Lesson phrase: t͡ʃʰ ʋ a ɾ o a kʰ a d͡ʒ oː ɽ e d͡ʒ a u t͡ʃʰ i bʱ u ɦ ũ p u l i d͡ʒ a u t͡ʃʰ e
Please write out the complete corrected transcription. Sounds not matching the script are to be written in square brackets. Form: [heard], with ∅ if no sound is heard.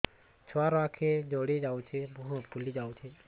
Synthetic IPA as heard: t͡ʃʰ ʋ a ɾ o a kʰ [e] d͡ʒ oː ɽ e d͡ʒ a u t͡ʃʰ [e] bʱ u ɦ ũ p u l i d͡ʒ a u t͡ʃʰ e